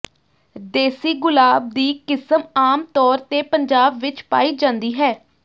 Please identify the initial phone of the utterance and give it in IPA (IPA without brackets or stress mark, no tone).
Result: d̪